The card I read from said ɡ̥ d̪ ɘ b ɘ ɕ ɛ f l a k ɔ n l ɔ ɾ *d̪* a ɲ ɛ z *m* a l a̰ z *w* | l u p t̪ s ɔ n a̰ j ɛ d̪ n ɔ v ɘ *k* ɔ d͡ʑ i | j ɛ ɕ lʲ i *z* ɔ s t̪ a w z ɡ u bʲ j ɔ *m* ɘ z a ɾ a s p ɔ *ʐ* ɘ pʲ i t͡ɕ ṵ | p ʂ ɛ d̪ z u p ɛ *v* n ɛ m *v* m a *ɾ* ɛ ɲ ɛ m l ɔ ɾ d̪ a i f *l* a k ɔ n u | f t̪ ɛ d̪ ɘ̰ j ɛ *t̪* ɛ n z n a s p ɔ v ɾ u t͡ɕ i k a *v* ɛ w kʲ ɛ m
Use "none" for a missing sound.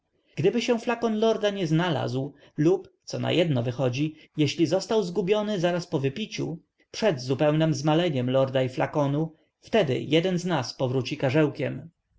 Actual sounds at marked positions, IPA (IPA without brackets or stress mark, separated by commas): d̪, n, w, x, z, n, v, w, z, l, l, d̪, ʐ